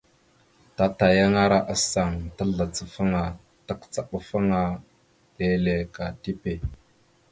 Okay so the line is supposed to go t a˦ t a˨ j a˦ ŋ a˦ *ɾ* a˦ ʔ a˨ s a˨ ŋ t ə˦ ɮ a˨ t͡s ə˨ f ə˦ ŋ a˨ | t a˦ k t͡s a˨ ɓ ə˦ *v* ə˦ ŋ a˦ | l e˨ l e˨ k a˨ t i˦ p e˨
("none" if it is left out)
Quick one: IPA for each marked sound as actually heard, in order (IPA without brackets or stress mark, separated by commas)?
ɾ, f